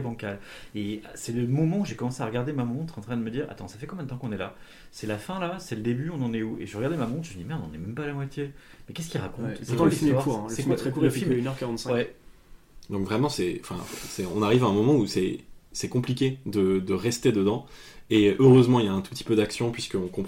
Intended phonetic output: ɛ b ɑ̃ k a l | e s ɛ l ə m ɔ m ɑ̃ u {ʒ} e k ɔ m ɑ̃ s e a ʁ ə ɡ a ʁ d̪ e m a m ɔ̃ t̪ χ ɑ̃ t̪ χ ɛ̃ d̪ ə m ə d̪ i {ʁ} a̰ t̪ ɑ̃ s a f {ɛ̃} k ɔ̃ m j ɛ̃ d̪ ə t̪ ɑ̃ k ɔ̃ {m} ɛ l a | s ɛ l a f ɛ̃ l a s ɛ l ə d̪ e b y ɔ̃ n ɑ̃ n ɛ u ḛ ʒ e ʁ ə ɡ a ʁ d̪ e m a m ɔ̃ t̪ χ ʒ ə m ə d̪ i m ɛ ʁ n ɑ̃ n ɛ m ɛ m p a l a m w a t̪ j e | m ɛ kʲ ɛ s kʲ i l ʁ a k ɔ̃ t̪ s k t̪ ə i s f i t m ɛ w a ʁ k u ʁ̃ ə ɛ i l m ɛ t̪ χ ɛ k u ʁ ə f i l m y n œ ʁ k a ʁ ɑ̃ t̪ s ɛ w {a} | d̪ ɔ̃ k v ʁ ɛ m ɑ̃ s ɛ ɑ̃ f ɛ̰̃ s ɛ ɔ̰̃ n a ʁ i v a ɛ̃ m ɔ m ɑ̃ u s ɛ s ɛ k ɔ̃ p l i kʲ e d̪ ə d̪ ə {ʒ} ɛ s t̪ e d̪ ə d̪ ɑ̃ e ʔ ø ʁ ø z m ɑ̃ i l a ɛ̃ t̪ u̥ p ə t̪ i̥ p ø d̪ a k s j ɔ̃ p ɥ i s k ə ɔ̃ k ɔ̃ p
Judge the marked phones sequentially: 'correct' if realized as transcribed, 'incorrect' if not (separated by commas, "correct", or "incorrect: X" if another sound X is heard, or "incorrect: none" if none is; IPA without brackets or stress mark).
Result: correct, correct, incorrect: ɛ, incorrect: n, incorrect: ɛ, incorrect: ʁ